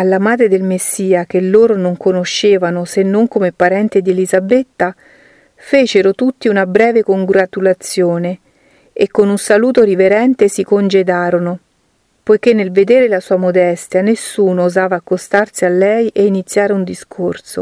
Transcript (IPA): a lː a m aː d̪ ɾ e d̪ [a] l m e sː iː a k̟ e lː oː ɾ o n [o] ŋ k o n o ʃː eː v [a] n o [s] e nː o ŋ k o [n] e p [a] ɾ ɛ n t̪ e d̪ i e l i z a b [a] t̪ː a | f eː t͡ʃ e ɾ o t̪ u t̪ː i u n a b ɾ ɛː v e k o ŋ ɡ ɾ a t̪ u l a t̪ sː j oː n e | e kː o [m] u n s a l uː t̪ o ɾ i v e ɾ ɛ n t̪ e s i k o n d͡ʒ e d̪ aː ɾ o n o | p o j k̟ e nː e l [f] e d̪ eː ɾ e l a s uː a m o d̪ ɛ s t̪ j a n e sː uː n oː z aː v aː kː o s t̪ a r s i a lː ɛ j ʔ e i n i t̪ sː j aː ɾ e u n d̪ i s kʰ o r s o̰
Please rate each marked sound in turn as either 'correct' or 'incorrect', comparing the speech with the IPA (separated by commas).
incorrect, correct, correct, correct, incorrect, correct, incorrect, incorrect, incorrect